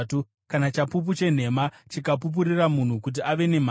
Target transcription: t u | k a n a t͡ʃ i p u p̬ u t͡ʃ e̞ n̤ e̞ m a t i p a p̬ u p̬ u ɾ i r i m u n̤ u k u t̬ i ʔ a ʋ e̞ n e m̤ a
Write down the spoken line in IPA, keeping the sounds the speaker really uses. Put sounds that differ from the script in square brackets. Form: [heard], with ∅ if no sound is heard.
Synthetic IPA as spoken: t u | k a n a t͡ʃ [a] p u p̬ u t͡ʃ e̞ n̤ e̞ m a [t͡ʃ] i [k] a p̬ u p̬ u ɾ i r [a] m u n̤ u k u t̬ i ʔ a ʋ e̞ n e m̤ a